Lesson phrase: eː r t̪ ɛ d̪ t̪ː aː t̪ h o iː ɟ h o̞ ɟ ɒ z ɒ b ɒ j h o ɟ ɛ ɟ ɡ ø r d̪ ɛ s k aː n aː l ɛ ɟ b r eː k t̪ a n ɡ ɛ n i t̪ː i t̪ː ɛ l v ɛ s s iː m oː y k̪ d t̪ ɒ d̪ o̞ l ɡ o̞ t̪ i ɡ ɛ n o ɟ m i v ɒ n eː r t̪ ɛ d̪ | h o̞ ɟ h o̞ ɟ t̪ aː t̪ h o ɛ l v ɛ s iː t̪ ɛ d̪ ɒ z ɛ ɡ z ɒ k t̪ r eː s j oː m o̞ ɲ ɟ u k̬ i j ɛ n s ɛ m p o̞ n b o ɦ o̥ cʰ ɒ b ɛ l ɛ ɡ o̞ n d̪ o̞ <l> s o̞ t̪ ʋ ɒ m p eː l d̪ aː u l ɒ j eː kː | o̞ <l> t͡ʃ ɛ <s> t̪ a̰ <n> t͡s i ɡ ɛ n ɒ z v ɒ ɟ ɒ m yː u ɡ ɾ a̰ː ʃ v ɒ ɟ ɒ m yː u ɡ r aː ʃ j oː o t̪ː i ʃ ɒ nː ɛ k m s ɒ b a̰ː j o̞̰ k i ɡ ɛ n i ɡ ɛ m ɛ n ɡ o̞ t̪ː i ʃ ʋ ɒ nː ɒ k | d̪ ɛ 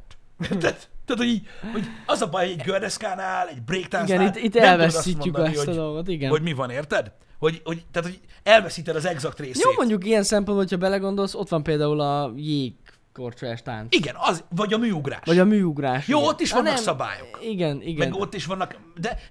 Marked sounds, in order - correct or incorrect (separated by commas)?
correct, incorrect, incorrect, correct